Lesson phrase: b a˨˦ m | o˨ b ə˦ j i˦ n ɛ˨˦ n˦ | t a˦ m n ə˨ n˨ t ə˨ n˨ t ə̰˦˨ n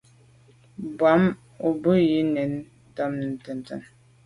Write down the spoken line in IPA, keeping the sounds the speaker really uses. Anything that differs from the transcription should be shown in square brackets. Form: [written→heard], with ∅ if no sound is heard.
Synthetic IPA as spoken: b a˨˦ m | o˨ b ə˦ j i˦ n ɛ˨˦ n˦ | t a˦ m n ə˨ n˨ t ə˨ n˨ t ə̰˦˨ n